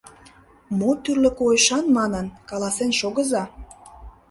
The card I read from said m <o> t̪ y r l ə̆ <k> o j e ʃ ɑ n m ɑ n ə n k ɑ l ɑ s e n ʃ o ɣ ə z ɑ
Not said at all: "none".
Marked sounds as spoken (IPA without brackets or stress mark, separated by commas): o, k